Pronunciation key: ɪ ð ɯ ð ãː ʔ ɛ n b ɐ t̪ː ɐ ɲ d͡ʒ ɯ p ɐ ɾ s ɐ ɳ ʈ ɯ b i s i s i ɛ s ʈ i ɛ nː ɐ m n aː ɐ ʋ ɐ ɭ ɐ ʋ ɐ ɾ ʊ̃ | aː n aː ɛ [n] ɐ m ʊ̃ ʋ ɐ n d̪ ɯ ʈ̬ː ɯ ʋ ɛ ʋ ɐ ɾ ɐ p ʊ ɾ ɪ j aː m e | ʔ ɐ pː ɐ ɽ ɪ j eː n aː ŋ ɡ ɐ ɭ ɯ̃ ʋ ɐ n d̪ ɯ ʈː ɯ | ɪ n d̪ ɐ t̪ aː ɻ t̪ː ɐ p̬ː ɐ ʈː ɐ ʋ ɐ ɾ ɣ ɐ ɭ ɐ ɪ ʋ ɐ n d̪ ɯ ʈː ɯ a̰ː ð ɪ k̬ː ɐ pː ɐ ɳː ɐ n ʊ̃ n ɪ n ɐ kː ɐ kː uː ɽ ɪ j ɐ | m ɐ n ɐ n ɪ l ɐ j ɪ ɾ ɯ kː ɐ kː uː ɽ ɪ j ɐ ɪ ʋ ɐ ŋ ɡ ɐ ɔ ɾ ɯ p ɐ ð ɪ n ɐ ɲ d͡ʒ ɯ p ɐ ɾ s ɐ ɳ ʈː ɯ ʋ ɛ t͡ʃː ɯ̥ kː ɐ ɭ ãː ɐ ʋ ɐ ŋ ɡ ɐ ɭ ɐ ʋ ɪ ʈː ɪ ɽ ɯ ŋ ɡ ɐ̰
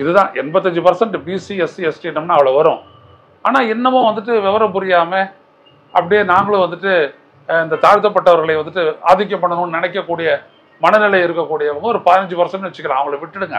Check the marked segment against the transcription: incorrect: nː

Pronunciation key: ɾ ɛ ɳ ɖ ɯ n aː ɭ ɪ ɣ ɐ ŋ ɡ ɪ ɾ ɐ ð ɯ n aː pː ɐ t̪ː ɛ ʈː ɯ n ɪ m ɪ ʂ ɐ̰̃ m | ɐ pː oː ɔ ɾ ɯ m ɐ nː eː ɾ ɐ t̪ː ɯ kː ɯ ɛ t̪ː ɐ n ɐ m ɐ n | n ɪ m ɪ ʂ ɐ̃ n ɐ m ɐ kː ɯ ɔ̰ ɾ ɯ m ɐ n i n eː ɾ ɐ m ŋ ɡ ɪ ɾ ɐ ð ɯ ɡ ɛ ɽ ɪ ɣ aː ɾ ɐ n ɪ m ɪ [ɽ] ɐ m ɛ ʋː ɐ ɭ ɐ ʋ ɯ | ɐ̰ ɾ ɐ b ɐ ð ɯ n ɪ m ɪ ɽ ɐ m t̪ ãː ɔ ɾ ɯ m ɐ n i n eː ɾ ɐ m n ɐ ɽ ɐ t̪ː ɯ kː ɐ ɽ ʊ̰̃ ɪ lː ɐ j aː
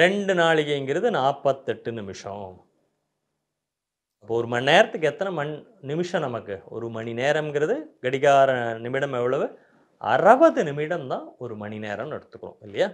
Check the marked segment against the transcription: correct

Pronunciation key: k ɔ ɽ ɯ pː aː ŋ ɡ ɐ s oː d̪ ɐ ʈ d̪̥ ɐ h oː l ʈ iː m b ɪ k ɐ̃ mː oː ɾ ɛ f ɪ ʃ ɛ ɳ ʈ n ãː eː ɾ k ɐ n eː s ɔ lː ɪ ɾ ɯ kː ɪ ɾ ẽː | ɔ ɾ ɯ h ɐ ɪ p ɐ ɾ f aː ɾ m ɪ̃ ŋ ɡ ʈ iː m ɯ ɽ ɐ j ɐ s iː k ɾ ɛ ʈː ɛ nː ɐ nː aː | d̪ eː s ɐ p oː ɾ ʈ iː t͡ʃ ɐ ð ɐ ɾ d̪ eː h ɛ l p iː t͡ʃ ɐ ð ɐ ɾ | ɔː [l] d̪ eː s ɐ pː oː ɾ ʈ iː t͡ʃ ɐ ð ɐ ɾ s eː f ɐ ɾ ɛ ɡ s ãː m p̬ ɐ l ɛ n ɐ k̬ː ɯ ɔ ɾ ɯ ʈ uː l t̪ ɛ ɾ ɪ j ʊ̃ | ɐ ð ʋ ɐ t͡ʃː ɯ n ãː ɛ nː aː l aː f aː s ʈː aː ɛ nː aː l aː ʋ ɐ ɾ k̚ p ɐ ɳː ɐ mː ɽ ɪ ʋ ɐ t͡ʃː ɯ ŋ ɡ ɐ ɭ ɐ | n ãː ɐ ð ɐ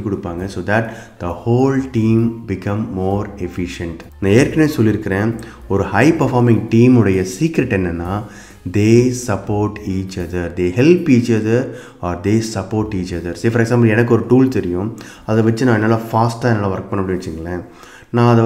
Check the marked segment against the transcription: incorrect: ɾ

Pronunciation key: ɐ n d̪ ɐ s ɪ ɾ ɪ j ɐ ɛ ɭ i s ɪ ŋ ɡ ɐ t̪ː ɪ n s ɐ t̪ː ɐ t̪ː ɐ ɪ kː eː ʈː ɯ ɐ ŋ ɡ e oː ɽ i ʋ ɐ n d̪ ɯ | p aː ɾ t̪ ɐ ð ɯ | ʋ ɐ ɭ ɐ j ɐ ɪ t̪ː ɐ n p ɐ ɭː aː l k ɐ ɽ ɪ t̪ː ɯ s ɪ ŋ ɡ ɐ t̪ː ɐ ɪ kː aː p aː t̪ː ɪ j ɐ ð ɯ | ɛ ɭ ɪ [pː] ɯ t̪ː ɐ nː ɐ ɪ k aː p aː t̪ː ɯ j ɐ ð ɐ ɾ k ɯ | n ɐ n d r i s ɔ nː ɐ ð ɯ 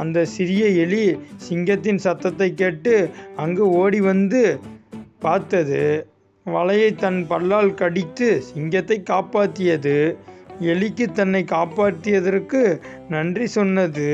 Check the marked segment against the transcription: incorrect: kː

